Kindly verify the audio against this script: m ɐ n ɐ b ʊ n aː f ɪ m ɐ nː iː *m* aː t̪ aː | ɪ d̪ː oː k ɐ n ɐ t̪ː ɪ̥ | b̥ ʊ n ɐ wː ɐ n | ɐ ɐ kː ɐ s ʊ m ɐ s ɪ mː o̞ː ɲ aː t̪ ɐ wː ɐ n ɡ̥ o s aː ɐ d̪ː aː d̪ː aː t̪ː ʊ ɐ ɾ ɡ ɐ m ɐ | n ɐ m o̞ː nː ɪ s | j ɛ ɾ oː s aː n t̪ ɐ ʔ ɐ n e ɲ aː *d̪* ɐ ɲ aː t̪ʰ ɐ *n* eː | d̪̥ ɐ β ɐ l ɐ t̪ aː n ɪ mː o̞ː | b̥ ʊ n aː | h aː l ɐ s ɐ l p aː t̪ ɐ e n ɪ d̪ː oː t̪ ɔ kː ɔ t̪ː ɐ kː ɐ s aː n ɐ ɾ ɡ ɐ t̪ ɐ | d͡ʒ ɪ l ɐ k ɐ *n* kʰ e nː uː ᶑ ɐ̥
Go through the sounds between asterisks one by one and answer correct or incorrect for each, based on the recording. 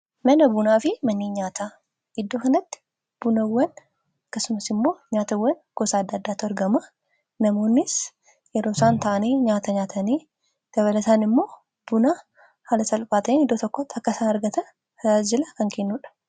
incorrect, incorrect, correct, incorrect

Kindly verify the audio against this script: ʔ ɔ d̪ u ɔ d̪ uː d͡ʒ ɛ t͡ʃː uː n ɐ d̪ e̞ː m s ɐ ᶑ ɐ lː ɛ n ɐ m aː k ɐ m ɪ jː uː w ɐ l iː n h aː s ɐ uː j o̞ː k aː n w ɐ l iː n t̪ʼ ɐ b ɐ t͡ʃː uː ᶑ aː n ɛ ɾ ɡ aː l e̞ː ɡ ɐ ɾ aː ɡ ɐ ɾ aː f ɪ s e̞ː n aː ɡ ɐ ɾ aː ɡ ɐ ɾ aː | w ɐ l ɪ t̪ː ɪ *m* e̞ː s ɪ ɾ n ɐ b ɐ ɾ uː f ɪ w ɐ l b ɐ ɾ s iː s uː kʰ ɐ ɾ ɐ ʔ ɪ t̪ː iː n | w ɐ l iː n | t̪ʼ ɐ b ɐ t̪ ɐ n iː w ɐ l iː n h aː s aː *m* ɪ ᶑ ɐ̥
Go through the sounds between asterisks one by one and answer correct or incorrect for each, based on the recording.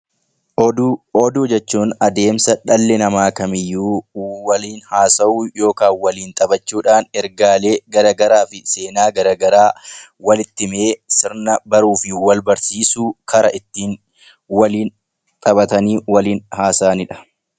correct, incorrect

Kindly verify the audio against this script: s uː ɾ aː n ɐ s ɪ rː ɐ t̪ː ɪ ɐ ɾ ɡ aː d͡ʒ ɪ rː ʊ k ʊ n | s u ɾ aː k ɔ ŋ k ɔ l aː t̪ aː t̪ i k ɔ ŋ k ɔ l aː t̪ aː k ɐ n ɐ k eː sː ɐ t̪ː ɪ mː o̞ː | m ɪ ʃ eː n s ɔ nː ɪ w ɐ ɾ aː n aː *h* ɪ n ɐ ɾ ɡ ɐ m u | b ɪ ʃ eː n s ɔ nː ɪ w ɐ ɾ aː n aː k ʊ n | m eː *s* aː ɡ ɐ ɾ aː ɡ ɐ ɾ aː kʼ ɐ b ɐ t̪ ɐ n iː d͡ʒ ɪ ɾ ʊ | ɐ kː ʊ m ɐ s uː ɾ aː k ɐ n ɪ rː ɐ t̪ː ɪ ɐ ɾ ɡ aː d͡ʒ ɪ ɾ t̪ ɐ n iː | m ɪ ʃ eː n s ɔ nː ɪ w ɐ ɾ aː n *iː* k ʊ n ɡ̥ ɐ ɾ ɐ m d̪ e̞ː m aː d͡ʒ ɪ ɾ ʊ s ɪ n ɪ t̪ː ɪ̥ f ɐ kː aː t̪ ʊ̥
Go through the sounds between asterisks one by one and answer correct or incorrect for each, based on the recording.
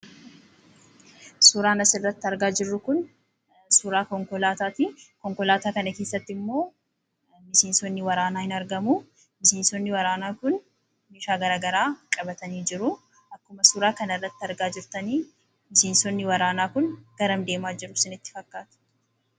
correct, incorrect, incorrect

